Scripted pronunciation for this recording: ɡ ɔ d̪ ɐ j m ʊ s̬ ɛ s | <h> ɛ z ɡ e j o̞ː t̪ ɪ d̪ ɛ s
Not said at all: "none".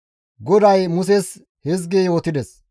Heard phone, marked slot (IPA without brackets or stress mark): h